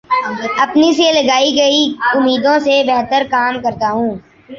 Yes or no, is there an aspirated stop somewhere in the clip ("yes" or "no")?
no